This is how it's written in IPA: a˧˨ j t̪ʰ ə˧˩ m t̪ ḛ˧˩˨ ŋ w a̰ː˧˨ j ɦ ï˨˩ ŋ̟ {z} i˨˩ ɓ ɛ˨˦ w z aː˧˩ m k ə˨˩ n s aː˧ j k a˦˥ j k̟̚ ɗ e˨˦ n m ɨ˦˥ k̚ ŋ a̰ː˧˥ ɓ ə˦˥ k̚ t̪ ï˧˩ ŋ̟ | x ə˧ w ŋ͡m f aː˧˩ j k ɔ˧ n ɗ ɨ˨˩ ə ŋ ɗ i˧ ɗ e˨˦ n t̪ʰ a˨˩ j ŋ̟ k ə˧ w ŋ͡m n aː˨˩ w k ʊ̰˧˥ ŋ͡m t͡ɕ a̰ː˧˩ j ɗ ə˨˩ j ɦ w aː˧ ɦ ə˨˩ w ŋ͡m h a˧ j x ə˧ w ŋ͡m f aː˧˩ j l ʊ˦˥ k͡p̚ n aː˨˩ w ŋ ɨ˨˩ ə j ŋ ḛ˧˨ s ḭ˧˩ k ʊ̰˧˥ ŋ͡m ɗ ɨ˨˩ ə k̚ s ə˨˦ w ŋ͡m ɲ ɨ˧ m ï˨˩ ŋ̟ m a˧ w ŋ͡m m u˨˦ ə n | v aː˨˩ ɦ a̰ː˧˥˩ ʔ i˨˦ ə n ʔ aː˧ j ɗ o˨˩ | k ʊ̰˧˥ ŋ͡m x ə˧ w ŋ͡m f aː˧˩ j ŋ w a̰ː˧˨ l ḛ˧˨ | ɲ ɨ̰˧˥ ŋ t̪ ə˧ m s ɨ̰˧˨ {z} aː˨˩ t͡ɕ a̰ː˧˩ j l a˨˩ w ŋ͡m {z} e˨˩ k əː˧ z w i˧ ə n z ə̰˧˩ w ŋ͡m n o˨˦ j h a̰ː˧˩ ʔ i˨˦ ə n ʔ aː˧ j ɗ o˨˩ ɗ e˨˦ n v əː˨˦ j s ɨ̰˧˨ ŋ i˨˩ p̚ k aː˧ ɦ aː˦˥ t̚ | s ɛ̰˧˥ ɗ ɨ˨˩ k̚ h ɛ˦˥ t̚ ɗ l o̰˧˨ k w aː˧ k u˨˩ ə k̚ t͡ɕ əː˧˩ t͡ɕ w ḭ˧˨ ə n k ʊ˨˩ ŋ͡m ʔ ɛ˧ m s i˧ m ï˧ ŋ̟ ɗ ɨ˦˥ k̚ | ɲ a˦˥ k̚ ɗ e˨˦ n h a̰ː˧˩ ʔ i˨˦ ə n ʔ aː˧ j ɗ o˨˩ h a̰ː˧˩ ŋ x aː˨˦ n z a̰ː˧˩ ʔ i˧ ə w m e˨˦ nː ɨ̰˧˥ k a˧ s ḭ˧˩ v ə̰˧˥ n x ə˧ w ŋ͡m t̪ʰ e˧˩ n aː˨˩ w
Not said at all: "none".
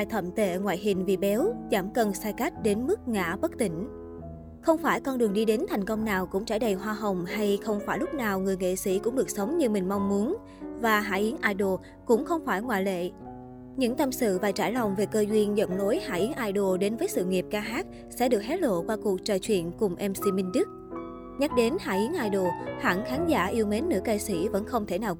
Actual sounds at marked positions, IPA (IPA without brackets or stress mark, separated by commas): v, v, v